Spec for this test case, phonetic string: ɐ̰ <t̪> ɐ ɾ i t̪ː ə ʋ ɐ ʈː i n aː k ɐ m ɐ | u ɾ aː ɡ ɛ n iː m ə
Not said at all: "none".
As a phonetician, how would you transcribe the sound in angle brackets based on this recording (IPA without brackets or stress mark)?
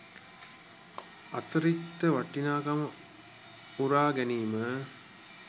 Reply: t̪